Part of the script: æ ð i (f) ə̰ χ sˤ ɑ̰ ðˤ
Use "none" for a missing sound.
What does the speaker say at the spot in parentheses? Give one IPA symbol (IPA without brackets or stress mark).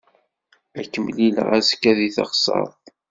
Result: θ